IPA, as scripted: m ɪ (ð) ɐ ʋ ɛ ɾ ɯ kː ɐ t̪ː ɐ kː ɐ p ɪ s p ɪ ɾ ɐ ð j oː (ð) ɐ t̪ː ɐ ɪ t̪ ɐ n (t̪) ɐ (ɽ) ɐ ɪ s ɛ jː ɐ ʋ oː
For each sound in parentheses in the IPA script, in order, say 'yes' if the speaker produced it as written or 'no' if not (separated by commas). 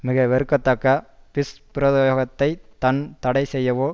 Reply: no, no, yes, yes